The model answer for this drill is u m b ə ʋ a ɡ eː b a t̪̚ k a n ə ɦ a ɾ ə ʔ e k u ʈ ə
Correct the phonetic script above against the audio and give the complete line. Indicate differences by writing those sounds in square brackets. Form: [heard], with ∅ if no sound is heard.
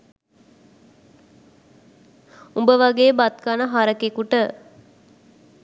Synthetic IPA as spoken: u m b ə ʋ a ɡ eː b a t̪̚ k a n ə ɦ a ɾ ə [k] e k u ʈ ə